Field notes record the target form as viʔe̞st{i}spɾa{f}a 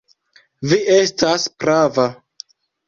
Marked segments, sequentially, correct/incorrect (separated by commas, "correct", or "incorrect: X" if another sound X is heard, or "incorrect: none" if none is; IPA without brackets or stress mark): incorrect: a, incorrect: v